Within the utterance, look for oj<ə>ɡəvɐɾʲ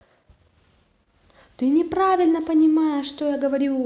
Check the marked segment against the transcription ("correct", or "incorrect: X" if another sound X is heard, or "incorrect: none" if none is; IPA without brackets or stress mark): incorrect: a